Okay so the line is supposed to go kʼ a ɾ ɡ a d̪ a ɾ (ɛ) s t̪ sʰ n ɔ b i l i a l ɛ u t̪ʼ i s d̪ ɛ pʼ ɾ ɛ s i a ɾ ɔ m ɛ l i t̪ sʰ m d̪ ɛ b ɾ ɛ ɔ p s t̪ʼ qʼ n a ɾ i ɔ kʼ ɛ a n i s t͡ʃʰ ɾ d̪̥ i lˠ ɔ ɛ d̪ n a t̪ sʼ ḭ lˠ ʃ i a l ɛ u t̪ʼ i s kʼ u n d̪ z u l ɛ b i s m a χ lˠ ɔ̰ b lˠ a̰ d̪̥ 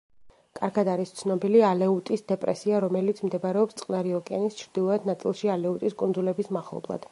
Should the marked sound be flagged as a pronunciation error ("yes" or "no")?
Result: yes